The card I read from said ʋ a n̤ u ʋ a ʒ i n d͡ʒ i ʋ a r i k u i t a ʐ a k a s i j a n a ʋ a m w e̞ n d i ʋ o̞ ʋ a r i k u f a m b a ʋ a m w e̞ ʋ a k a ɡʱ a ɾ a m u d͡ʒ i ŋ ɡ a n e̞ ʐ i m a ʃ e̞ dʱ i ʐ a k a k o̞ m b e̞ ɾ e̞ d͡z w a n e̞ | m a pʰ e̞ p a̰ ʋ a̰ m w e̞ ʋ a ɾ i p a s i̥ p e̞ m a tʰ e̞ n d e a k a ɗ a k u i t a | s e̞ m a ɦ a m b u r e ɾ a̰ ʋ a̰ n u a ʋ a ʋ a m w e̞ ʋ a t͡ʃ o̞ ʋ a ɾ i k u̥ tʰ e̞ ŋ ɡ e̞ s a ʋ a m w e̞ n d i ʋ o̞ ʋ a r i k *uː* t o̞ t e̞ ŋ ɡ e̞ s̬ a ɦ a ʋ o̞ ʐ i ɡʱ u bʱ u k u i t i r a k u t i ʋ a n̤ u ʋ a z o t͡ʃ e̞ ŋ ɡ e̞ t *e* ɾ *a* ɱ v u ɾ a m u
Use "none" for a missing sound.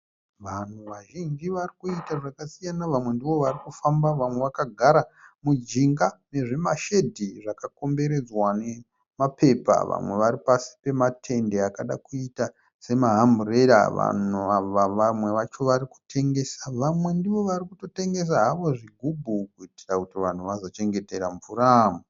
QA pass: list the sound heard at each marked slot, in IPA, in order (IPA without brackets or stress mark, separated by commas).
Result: u, e, a